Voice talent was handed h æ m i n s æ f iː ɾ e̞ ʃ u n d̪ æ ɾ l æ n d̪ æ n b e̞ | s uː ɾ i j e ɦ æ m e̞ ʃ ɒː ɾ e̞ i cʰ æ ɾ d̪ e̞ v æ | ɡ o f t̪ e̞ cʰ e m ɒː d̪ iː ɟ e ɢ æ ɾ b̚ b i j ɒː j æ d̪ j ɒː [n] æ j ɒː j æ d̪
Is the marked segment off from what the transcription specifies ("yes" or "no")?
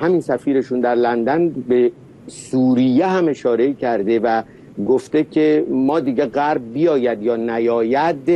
no